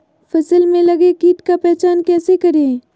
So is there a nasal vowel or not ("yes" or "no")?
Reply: yes